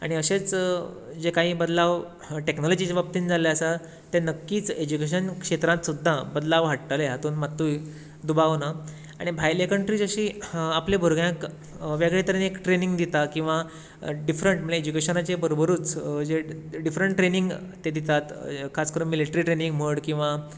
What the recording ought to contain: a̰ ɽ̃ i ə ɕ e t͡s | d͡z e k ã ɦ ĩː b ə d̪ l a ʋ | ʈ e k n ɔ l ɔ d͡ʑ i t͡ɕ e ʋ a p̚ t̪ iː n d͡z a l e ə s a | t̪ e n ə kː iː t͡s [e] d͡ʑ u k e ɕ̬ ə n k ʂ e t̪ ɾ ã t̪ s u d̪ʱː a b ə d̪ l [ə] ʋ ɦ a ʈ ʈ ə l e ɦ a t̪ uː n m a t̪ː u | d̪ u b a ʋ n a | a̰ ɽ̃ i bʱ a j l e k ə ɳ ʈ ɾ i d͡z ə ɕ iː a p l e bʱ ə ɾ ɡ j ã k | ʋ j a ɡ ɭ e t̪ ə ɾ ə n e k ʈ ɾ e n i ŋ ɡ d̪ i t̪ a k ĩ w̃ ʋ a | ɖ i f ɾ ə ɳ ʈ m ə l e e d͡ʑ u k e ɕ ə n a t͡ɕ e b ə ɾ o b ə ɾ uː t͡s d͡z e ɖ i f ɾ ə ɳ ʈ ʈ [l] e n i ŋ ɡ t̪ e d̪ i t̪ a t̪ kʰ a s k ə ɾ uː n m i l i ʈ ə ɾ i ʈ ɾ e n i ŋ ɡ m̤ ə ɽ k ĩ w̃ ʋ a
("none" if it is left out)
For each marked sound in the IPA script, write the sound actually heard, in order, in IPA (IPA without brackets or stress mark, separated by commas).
e, a, ɾ